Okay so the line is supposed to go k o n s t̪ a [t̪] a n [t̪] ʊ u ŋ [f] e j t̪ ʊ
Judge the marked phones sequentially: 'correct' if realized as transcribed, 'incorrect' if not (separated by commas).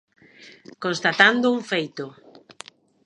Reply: correct, incorrect, correct